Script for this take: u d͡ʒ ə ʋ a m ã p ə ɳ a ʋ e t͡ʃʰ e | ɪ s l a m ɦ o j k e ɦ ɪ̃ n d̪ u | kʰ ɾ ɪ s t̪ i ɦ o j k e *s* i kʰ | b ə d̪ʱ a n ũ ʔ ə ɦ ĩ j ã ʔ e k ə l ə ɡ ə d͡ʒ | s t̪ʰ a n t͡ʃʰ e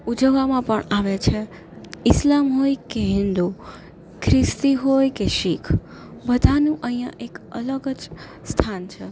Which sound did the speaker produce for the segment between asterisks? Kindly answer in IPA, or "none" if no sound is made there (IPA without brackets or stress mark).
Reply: ʃ